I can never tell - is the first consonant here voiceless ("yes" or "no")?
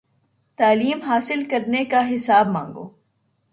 yes